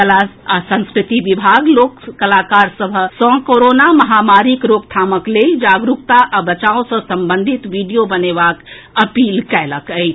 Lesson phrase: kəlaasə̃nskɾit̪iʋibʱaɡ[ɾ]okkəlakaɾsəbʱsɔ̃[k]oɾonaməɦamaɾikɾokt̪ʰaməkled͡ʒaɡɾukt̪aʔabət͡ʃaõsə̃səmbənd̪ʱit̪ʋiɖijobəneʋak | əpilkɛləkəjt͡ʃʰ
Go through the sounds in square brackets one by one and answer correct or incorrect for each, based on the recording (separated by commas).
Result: incorrect, correct